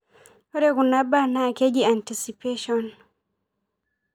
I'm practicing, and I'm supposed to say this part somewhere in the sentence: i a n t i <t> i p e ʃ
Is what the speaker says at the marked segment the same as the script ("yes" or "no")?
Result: no